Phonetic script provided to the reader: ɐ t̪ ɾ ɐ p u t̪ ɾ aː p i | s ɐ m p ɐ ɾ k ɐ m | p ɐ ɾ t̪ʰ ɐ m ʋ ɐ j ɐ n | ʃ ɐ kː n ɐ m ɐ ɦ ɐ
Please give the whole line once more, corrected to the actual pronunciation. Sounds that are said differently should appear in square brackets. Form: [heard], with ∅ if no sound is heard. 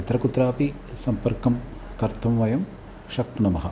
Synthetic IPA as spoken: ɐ t̪ ɾ ɐ [k] u t̪ ɾ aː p i | s ɐ m p ɐ ɾ k ɐ m | [k] ɐ ɾ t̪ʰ ɐ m ʋ ɐ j ɐ [m] | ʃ ɐ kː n ɐ m ɐ ɦ ɐ